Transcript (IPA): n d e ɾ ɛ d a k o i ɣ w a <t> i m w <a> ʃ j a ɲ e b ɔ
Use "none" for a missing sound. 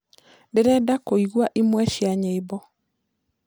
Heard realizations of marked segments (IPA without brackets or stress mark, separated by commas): ʔ, ɛ